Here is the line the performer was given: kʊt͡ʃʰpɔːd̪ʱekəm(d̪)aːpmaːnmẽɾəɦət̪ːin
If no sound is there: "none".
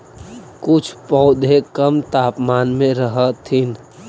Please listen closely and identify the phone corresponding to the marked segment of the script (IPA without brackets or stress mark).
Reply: t̪